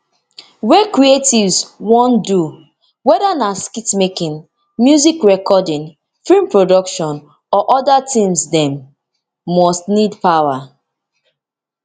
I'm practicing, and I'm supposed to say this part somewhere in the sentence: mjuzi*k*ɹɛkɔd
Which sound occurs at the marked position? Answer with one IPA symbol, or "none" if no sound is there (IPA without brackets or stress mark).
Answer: k